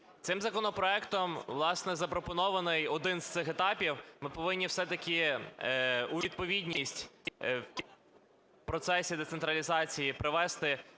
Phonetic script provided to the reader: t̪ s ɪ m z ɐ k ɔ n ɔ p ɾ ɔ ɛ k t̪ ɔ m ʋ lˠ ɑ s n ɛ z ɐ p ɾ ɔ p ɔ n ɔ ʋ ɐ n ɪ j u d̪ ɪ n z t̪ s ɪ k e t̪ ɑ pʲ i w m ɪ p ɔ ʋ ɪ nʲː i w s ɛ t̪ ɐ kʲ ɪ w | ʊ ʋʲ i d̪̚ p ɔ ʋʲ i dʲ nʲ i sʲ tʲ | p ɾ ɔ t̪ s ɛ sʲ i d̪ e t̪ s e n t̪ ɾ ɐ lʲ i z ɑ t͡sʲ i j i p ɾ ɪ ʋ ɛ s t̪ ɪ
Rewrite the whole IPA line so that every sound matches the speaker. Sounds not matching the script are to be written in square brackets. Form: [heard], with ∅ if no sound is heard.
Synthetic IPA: t̪ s ɪ m z ɐ k ɔ n ɔ p ɾ ɔ ɛ k t̪ ɔ m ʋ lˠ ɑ s n ɛ z ɐ p ɾ ɔ p ɔ n ɔ ʋ ɐ n ɪ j [ɔ] d̪ ɪ n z t̪ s ɪ [x] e t̪ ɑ pʲ i w m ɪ p ɔ ʋ ɪ nʲː i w s ɛ t̪ ɐ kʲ ɪ [∅] | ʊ ʋʲ i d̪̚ p ɔ ʋʲ i dʲ nʲ i sʲ tʲ | p ɾ ɔ t̪ s ɛ sʲ i d̪ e t̪ s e n t̪ ɾ ɐ lʲ i z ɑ t͡sʲ i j i p ɾ ɪ ʋ ɛ s t̪ ɪ